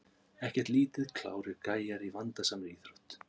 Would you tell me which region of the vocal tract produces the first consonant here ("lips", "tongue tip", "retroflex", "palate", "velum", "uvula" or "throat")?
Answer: throat